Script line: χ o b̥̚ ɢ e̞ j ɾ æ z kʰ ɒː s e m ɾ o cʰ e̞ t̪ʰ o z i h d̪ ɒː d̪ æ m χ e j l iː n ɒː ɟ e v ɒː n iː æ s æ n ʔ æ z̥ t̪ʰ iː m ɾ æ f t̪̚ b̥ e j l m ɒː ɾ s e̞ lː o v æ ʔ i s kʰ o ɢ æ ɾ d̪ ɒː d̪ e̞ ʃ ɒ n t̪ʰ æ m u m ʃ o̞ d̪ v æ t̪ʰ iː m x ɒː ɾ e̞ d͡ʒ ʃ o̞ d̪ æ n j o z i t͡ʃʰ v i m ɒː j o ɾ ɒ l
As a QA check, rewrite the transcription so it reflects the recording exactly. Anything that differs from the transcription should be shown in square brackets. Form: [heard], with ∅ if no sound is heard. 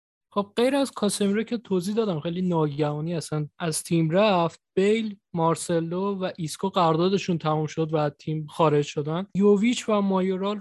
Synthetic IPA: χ o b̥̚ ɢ e̞ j ɾ æ z kʰ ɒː s e m ɾ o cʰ e̞ t̪ʰ o z i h d̪ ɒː d̪ æ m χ e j l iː n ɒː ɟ [æ] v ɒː n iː æ s æ n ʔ æ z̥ t̪ʰ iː m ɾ æ f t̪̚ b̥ e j l m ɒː ɾ s e̞ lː o v æ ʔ i s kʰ o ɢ æ ɾ d̪ ɒː d̪ e̞ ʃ [u] n t̪ʰ æ m u m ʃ o̞ d̪ v æ t̪ʰ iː m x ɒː ɾ e̞ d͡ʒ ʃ o̞ d̪ æ n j o [v] i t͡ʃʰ v [æ] m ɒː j o ɾ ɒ l